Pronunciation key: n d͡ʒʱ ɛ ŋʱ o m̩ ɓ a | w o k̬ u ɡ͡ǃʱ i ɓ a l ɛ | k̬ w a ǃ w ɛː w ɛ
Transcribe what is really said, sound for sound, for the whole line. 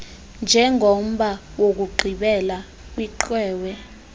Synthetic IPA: n d͡ʒʱ ɛ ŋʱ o m̩ ɓ a | w o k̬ u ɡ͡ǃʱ i ɓ ɛ l a | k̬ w i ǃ w ɛː w ɛ